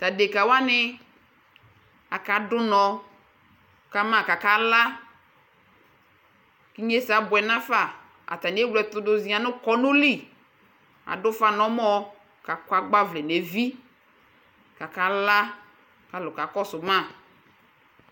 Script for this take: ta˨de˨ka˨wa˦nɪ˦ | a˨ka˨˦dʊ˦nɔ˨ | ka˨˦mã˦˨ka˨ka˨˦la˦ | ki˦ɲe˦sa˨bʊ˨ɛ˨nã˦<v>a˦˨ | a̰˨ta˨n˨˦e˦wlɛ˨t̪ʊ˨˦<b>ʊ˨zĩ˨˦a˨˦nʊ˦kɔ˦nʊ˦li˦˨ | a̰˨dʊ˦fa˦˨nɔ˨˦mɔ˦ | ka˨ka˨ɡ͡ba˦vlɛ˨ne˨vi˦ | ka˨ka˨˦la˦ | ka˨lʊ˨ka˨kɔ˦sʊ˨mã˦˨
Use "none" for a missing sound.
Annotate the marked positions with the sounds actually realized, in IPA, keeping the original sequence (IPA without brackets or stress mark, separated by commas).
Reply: f, d